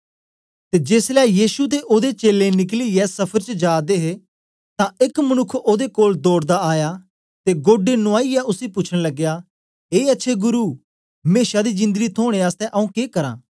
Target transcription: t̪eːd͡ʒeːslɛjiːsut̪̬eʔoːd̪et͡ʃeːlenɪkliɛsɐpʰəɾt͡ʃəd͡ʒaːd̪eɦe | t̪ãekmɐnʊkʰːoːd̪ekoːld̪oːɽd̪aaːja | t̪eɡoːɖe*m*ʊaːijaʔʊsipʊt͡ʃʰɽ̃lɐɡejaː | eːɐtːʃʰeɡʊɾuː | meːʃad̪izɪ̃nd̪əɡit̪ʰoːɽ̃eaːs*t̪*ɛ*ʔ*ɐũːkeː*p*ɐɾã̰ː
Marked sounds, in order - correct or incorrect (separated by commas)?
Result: incorrect, correct, correct, incorrect